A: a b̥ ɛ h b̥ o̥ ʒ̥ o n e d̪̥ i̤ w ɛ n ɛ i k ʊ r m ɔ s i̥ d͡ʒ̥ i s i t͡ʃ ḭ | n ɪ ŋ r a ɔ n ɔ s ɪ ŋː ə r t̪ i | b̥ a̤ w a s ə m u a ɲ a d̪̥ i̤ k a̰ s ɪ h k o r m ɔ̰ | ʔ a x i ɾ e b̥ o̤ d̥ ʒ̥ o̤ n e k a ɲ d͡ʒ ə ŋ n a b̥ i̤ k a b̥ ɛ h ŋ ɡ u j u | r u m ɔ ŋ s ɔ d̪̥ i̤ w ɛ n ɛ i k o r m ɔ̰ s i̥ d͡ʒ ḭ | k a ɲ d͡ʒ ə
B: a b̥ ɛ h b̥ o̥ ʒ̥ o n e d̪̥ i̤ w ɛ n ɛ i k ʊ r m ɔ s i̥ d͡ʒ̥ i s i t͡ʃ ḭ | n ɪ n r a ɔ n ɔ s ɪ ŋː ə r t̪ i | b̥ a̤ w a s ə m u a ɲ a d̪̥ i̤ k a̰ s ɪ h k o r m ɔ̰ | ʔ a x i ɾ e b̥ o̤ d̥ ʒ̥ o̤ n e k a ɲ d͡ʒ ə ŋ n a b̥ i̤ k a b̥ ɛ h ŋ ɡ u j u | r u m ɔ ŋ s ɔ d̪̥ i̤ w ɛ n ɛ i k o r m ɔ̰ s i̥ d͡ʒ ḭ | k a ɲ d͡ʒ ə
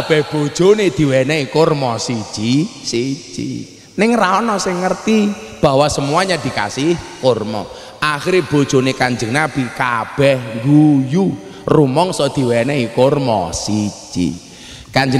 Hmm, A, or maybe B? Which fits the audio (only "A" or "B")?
A